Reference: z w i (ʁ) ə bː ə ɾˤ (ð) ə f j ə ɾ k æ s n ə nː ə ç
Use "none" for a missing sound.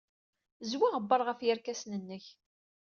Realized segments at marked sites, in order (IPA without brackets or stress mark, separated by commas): ʁ, ʁ